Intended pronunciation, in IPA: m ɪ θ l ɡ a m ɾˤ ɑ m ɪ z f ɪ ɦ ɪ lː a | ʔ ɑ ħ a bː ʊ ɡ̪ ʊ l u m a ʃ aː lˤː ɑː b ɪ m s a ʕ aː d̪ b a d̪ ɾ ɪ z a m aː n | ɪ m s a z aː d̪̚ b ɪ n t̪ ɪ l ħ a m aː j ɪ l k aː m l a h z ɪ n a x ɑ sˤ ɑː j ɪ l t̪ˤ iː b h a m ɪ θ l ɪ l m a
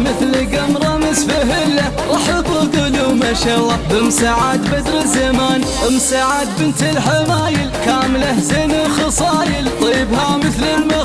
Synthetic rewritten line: m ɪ θ l ɡ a m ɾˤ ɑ m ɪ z f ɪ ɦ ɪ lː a | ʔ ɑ ħ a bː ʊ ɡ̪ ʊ l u m a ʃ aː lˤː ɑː b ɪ m s a ʕ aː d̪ b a d̪ ɾ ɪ z a m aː n | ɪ m s a ʕ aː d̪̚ b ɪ n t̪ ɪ l ħ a m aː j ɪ l k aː m l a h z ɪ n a x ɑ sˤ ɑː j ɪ l t̪ˤ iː b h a m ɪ θ l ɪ l m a

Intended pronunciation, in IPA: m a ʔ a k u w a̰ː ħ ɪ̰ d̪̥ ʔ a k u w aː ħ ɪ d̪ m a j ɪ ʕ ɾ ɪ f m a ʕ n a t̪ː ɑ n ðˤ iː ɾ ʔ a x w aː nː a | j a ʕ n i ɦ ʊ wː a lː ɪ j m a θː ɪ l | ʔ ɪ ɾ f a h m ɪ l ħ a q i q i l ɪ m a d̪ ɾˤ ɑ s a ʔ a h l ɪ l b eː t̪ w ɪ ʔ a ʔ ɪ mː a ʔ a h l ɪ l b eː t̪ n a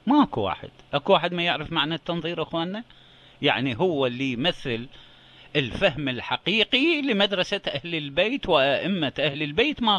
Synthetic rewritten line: m a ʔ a k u w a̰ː ħ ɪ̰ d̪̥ ʔ a k u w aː ħ ɪ d̪ m a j ɪ ʕ ɾ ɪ f m a ʕ n a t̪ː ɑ n ðˤ iː ɾ ʔ a x w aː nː a | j a ʕ n i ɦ ʊ wː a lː i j m a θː ɪ l | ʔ ɪ l f a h m ɪ l ħ a q iː q i l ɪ m a d̪ ɾˤ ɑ s a ʔ a h l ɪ l b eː t̪ w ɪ ʔ a ʔ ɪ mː a ʔ a h l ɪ l b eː t̪ m a

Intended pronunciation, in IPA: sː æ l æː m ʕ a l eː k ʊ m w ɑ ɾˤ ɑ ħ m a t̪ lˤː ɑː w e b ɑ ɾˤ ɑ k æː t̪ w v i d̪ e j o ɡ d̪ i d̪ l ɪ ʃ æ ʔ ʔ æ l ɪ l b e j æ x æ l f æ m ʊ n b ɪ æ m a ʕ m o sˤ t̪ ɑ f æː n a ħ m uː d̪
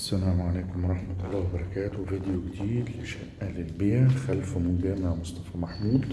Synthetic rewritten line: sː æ l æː m ʕ a l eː k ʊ m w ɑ ɾˤ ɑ ħ m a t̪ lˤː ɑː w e b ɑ ɾˤ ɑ k æː t̪ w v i d̪ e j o ɡ d̪ iː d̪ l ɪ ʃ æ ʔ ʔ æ l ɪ l b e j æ x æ l f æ m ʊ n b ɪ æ m a ʕ m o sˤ t̪ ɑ f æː m a ħ m uː d̪

